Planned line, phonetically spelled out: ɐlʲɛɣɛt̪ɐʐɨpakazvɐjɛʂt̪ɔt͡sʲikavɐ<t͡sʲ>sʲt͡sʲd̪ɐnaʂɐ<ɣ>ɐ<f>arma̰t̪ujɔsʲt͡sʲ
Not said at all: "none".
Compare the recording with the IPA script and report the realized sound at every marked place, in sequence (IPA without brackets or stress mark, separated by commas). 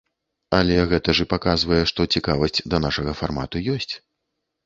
none, ɣ, f